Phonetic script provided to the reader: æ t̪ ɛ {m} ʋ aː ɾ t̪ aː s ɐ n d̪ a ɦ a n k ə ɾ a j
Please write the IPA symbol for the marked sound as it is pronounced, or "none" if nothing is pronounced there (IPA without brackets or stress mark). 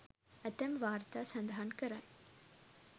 m